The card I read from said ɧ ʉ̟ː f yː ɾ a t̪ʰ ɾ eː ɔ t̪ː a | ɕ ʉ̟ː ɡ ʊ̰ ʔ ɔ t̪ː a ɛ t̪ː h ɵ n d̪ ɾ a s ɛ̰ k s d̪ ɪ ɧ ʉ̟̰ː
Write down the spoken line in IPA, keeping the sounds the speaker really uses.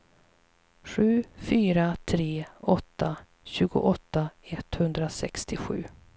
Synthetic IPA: ɧ ʉ̟ː f yː ɾ a t̪ʰ ɾ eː ɔ t̪ː a | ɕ ʉ̟ː ɡ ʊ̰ ʔ ɔ t̪ː a ɛ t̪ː h ɵ n d̪ ɾ a s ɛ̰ k s t̪ ɪ ɧ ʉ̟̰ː